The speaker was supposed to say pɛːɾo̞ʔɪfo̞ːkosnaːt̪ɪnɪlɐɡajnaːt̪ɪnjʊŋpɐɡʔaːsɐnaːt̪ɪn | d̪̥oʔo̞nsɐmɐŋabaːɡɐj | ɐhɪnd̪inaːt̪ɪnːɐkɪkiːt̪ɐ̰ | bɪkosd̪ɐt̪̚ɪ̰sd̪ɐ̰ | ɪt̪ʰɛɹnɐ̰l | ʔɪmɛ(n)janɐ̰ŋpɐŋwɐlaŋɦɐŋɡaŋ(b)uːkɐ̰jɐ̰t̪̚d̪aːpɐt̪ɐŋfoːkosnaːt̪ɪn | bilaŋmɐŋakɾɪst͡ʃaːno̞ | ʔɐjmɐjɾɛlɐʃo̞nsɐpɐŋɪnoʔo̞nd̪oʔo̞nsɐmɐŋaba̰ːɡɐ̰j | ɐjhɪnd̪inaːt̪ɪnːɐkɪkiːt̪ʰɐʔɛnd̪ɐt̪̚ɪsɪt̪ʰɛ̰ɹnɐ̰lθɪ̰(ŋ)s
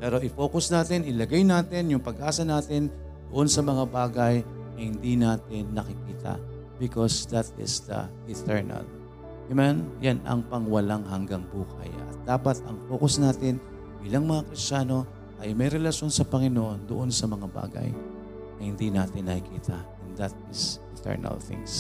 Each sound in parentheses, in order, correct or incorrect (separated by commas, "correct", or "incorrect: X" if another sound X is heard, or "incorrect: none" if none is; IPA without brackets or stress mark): correct, correct, correct